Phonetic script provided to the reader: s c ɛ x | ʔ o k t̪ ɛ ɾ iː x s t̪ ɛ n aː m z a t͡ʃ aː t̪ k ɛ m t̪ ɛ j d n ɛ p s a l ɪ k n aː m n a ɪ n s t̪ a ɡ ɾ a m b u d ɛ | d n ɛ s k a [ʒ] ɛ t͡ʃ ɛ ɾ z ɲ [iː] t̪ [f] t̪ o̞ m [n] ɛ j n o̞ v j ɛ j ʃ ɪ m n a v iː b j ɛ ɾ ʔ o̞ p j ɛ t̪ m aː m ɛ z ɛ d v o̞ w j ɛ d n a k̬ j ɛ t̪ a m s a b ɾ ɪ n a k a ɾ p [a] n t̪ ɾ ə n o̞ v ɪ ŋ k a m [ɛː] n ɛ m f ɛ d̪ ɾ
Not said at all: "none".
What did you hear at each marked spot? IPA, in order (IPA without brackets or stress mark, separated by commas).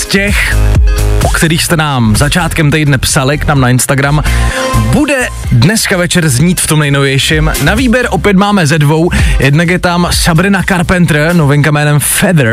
v, iː, f, n, ɛ, ɛː